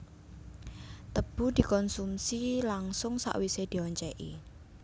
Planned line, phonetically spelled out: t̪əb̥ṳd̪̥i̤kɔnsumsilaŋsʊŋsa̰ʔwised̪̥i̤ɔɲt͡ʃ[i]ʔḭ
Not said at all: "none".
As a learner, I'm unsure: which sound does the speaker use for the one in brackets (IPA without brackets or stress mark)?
ɛ